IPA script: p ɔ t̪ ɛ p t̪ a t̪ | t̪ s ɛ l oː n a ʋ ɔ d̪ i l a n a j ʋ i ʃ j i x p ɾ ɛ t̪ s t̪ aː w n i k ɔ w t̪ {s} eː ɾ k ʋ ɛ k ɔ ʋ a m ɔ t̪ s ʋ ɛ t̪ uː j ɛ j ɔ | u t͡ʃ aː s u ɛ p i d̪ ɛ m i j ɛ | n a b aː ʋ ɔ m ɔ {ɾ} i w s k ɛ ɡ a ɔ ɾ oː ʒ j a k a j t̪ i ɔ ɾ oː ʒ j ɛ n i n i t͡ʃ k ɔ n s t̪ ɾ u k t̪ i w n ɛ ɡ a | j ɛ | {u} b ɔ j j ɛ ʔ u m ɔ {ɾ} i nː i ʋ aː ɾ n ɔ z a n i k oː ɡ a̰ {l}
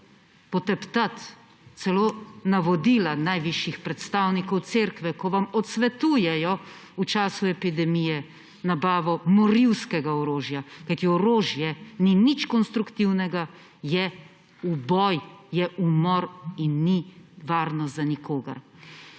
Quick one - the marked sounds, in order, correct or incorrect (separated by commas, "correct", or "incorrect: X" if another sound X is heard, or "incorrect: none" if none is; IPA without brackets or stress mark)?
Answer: correct, correct, correct, correct, incorrect: ɾ